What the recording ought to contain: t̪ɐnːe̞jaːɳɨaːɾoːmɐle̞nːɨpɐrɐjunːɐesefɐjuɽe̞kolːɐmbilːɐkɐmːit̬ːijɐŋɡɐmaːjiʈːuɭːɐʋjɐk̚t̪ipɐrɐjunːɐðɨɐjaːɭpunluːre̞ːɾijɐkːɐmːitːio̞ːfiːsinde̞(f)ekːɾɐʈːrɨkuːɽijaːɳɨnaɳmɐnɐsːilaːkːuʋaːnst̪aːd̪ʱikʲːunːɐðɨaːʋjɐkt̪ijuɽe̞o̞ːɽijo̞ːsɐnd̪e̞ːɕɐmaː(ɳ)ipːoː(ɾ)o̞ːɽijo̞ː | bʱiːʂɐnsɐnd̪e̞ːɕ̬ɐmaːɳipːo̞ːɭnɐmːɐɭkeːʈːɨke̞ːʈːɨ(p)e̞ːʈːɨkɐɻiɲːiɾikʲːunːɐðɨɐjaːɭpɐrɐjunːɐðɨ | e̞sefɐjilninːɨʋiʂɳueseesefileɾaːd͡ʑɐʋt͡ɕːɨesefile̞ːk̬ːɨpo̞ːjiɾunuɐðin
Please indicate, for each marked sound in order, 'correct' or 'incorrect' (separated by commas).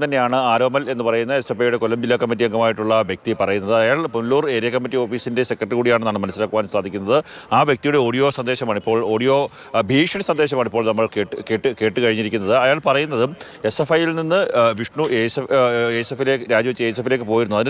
incorrect, correct, incorrect, incorrect